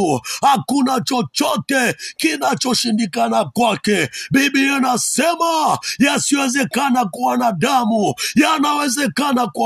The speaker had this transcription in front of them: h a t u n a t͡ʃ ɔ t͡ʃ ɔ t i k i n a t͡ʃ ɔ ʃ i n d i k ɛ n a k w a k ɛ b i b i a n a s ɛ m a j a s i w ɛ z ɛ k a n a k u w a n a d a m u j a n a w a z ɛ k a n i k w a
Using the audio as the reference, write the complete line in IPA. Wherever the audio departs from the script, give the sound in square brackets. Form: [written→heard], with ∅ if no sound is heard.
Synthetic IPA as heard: h a [t→k] u n a t͡ʃ ɔ t͡ʃ ɔ t [i→ɛ] k i n a t͡ʃ ɔ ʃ i n d i k [ɛ→a] n a k w a k ɛ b i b i a n a s ɛ m a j a s i w ɛ z ɛ k a n a k u w a n a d a m u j a n a w [a→ɛ] z ɛ k a n [i→a] k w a